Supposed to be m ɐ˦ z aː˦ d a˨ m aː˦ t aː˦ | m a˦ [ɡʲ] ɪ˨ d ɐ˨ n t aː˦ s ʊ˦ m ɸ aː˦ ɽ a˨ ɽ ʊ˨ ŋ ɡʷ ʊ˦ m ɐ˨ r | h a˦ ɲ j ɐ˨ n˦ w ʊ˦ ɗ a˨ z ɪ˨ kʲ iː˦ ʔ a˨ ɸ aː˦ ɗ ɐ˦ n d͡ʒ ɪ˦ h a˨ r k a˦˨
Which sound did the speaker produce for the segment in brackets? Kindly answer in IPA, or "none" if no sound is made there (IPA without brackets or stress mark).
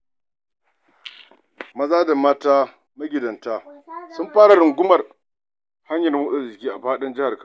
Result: ɡʲ